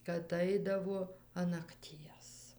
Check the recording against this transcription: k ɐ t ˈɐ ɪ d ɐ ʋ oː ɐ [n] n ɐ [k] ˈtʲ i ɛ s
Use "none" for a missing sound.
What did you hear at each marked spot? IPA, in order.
n, k

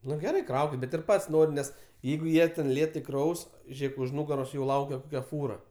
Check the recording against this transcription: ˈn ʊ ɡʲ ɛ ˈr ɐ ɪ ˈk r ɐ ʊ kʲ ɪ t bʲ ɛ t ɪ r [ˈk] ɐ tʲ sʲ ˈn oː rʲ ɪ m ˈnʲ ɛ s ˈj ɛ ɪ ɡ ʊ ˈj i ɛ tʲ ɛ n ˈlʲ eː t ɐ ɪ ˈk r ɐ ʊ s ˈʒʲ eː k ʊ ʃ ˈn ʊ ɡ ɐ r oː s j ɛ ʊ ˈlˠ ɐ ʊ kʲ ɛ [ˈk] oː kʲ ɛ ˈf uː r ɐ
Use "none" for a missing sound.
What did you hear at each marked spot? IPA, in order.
p, k

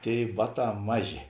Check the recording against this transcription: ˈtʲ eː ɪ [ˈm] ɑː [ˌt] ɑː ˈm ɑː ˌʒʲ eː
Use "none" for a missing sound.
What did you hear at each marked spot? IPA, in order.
b, t

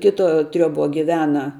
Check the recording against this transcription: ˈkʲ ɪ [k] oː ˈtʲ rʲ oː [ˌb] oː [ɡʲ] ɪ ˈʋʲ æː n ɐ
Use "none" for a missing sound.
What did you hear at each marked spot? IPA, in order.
t, b, ɡʲ

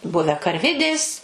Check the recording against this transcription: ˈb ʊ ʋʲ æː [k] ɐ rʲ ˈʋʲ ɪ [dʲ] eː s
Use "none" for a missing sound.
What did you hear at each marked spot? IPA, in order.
k, dʲ

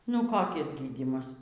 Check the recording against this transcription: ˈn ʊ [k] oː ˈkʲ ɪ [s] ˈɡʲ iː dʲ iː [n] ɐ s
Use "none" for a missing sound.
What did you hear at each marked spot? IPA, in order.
k, s, m

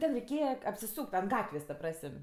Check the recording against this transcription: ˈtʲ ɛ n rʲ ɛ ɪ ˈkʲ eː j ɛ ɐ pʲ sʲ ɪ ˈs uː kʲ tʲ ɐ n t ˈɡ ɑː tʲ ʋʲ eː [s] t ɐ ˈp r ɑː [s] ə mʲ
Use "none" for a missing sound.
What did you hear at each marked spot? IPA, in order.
s, s

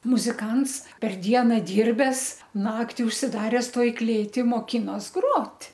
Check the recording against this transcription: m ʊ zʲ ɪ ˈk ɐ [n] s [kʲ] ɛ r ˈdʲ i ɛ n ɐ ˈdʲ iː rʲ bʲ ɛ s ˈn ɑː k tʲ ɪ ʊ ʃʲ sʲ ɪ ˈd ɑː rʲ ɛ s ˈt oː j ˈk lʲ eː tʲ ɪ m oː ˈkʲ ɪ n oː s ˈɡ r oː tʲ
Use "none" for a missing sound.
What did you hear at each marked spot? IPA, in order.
n, pʲ

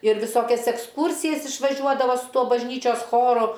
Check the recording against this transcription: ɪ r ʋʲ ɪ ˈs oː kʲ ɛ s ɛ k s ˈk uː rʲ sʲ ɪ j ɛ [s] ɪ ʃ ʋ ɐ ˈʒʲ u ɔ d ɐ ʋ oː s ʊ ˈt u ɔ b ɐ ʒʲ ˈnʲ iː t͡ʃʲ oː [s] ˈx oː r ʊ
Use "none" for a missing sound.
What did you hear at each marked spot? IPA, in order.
s, s

